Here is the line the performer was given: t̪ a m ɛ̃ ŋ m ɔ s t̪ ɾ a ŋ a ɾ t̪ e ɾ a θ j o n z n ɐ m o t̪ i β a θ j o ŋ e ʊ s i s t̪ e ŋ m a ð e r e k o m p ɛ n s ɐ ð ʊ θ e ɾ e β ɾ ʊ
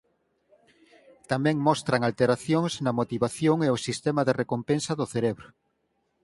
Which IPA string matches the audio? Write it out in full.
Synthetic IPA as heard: t̪ a m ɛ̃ ŋ m ɔ s t̪ ɾ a ŋ a l t̪ e ɾ a θ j o ŋ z n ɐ m o t̪ i β a θ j o ŋ e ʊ s i s t̪ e m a ð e r e k o m p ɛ n s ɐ ð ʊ θ e ɾ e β ɾ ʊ